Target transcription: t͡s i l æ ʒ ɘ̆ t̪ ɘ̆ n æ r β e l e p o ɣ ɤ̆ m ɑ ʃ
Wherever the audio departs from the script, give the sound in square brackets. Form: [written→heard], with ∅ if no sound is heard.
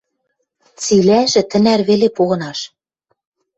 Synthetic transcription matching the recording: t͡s i l æ ʒ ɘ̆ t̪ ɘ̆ n æ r β e l e p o ɣ ɤ̆ [m→n] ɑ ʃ